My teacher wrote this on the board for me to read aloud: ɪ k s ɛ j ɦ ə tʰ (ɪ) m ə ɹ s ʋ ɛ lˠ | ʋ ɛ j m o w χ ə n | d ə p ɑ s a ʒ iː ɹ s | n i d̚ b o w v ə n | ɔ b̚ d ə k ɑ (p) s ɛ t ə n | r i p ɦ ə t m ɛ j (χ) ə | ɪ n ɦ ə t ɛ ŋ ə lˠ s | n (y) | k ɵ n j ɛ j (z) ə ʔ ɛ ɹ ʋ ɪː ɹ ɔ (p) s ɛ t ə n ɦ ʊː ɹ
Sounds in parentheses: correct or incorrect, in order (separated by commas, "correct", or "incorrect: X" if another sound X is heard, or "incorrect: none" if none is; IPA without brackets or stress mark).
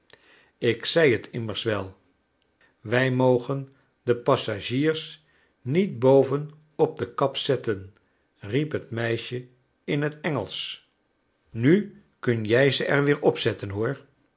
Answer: correct, correct, incorrect: ʃ, correct, correct, correct